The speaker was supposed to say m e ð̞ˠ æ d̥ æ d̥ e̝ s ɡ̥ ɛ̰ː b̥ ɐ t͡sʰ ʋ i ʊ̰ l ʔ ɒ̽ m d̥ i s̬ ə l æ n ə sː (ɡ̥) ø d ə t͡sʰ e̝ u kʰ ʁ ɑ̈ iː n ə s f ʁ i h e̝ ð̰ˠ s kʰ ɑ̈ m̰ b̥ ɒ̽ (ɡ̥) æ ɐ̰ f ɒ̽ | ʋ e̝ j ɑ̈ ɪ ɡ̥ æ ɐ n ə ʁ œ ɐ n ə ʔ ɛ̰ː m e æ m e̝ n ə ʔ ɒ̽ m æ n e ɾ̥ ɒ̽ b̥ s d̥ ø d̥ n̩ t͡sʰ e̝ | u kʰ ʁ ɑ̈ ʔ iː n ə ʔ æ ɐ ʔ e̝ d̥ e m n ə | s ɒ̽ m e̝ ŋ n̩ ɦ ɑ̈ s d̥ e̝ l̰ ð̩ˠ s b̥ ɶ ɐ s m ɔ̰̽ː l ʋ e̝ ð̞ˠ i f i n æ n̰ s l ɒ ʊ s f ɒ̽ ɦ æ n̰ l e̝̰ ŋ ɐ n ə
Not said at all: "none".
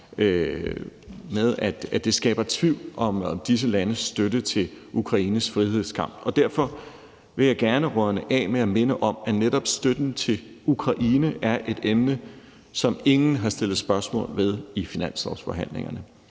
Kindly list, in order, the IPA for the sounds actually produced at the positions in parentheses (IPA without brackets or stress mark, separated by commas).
d̥, d̥